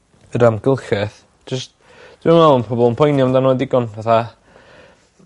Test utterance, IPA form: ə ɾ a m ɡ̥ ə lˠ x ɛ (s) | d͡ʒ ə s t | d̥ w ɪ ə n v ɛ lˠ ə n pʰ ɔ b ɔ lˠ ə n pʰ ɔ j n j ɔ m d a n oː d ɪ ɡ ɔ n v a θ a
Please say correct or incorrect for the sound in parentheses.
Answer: incorrect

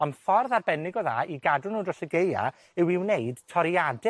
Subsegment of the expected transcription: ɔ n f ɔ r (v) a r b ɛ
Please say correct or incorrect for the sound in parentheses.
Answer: incorrect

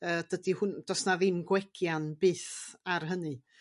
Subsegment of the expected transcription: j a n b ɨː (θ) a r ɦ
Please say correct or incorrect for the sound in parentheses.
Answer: correct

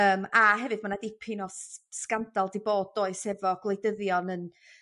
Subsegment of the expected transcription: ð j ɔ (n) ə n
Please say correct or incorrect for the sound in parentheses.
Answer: correct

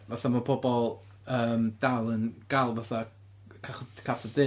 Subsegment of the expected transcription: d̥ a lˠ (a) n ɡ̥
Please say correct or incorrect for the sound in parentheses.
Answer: incorrect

